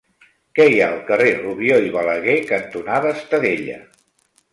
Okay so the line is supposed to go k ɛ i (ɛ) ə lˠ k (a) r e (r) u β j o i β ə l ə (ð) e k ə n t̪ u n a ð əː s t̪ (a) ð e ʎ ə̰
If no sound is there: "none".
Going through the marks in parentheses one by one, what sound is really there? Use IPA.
a, ə, r, ɣ, ə

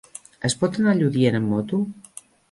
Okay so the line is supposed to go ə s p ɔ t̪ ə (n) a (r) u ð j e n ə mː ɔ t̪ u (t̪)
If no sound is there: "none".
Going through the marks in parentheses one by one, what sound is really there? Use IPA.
n, ʎ, none

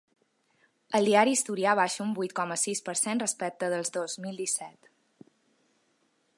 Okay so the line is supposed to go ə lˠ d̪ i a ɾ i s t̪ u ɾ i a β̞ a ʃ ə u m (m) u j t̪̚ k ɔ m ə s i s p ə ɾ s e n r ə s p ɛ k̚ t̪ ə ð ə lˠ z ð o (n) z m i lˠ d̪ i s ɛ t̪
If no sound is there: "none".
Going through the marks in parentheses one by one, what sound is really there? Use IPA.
b, none

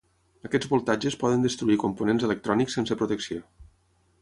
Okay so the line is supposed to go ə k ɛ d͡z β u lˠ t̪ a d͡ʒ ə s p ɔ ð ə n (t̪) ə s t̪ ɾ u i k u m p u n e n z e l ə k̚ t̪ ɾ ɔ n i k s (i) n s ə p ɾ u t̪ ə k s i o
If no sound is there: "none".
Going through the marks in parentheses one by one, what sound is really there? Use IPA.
d̪, e

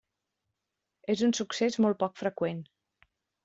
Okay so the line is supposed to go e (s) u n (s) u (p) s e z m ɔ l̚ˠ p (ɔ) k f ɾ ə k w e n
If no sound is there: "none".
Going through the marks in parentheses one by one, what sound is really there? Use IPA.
z, s, k, ɔ

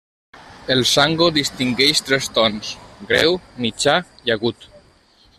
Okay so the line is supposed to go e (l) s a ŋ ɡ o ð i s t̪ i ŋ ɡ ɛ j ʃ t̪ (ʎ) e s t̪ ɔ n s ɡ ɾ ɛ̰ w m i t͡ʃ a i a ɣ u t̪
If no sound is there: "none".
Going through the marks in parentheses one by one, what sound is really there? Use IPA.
l, ɾ

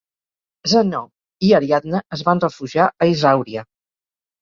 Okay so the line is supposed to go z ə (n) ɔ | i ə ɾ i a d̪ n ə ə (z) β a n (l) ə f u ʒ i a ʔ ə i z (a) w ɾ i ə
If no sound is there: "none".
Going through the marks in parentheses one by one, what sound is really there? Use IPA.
n, z, r, a

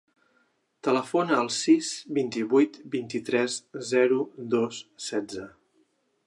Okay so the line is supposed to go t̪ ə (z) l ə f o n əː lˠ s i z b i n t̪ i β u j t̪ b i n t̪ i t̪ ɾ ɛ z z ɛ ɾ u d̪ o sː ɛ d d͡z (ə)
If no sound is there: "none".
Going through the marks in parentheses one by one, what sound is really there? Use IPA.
none, ə

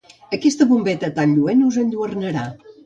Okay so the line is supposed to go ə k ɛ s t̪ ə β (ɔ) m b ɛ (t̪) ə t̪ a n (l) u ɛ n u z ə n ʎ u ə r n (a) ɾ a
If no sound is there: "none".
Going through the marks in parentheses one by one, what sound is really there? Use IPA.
u, t̪, ʎ, ə

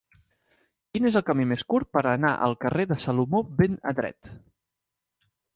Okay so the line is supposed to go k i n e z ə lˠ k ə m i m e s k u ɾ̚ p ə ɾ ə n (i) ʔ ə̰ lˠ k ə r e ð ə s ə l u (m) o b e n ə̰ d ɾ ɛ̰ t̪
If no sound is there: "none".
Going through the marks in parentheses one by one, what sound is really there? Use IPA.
a, m

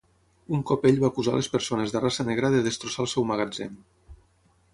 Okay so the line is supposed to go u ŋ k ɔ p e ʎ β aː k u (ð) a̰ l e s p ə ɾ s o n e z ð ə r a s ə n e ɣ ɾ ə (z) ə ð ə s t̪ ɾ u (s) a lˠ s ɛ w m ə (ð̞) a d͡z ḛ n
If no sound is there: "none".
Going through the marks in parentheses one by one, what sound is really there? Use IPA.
z, ð, s, ɣ̞

